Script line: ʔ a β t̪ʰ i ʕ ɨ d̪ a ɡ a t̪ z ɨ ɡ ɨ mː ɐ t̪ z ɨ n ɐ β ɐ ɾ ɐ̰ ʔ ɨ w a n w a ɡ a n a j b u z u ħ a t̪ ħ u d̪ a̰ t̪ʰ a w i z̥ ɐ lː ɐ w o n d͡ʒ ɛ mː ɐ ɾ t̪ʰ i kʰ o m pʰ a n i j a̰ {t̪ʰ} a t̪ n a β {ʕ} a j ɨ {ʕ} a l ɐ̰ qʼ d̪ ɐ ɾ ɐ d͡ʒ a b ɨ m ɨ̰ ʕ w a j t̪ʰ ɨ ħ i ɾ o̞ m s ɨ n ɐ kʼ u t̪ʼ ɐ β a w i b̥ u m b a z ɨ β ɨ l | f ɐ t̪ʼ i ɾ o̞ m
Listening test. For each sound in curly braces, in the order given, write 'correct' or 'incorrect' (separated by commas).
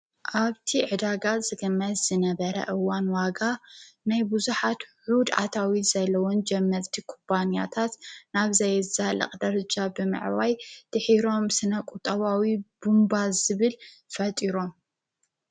correct, incorrect, incorrect